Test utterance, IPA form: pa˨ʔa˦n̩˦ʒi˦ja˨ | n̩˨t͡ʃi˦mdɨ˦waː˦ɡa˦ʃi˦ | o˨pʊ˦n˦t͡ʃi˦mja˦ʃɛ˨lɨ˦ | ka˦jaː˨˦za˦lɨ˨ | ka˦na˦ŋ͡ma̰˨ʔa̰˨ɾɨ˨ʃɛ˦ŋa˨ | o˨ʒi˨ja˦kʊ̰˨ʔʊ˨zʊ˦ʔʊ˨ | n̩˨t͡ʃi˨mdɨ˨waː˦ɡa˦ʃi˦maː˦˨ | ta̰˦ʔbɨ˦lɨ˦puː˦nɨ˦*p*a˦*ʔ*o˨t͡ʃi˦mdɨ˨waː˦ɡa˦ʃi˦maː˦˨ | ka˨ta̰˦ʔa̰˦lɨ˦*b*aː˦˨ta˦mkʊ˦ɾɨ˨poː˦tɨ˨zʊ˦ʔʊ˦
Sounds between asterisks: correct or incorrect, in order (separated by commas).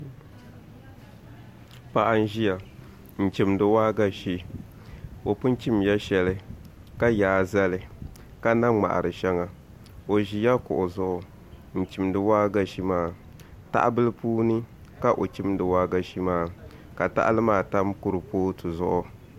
incorrect, correct, incorrect